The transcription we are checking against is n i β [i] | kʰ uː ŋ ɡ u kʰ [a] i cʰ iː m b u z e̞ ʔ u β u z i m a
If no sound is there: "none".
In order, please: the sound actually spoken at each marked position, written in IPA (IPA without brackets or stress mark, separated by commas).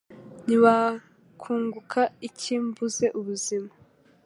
a, a